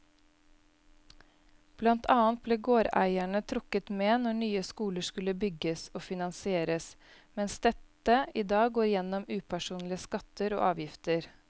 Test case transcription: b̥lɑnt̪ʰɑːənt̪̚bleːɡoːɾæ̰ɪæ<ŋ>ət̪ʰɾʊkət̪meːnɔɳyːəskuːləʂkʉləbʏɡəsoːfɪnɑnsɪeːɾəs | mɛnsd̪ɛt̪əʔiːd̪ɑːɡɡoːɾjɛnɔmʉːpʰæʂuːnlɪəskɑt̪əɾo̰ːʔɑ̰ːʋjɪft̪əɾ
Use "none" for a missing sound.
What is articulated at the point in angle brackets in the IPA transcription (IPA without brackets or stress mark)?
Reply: ɳ